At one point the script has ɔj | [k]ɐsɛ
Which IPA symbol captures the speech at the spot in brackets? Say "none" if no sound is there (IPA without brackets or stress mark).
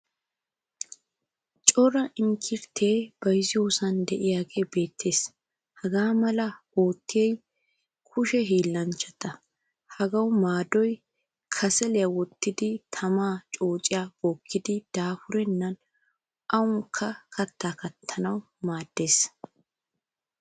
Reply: kʰ